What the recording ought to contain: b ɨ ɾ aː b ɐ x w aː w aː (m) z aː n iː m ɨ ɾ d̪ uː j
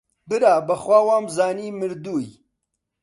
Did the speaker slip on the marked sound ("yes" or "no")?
no